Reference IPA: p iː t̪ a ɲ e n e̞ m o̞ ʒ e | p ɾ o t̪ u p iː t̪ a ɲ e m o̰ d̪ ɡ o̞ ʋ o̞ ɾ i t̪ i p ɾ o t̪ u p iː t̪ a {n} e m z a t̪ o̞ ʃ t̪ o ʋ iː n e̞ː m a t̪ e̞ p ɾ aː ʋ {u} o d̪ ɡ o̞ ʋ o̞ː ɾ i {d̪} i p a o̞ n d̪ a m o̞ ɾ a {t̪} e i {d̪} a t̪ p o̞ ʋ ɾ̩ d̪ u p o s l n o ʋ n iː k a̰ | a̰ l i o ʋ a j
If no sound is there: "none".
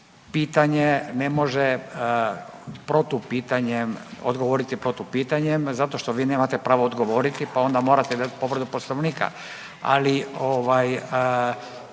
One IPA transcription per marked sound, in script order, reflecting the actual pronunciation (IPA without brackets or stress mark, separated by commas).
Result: ɲ, o, t̪, t̪, d̪